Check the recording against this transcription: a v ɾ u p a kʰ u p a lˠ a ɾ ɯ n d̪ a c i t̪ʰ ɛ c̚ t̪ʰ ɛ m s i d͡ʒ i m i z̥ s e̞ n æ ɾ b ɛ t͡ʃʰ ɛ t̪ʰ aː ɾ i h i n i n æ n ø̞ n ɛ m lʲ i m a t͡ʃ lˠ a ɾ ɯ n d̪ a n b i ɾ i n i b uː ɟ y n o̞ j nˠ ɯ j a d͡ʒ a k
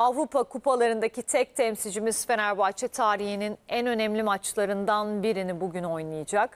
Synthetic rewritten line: a v ɾ u p a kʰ u p a lˠ a ɾ ɯ n d̪ a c i t̪ʰ ɛ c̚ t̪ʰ ɛ m s i d͡ʒ i m i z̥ f e̞ n æ ɾ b a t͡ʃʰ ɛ t̪ʰ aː ɾ i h i n i n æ n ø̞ n ɛ m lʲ i m a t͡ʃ lˠ a ɾ ɯ n d̪ a n b i ɾ i n i b u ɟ y n o̞ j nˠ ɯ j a d͡ʒ a k